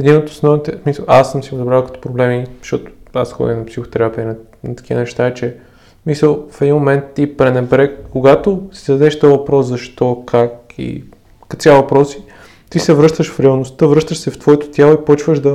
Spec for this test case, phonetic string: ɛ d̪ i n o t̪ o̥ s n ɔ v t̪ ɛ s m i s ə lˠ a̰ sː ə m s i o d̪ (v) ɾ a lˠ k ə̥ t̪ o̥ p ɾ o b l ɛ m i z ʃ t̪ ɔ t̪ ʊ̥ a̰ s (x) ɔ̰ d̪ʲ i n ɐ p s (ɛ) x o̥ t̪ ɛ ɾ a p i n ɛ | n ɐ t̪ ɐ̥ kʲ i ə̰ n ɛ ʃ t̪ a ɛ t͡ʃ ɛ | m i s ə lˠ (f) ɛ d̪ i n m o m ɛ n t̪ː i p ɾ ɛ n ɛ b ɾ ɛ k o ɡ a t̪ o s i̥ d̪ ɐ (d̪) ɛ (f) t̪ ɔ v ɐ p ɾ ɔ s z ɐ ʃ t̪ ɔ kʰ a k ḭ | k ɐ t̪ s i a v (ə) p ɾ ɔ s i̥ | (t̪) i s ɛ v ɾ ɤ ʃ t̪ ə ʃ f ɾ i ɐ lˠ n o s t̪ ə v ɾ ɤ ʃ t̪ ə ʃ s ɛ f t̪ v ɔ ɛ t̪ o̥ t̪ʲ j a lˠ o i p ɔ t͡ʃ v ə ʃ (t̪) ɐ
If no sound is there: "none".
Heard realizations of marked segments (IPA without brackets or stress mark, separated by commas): b, x, i, f, d̪, ʃ, ɐ, t̪, d̪